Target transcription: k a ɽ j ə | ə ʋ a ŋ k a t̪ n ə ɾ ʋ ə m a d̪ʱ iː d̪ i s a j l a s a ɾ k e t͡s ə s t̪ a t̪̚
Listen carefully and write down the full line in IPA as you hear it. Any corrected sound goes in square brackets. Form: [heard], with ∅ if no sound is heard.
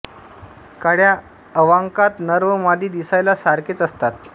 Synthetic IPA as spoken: k a ɽ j [a] | ə ʋ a ŋ k a t̪ n ə ɾ ʋ ə m a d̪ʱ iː d̪ i s a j l a s a ɾ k e t͡s ə s t̪ a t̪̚